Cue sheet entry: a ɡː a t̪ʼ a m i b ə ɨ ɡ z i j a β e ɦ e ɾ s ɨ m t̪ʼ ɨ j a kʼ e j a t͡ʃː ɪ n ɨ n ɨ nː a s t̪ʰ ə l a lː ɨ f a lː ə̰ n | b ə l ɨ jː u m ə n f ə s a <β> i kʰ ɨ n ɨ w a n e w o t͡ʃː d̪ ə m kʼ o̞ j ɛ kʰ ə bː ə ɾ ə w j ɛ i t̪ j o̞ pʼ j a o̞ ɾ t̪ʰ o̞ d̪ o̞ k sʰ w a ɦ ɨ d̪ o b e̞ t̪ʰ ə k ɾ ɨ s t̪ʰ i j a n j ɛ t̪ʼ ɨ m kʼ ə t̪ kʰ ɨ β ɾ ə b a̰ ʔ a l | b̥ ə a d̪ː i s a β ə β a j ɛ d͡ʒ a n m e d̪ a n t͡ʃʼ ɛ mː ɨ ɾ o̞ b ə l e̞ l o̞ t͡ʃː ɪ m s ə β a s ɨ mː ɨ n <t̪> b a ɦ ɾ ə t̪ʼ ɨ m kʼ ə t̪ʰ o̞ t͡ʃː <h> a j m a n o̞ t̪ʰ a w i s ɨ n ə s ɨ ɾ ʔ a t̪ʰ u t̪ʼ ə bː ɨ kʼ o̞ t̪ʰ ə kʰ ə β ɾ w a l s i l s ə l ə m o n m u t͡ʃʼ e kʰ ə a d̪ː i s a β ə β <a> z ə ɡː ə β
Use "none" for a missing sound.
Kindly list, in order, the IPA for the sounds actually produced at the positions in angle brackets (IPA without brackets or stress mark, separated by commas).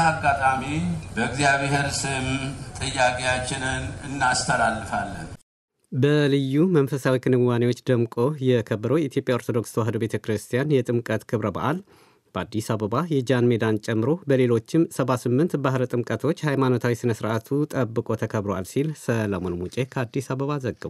w, t̪, h, a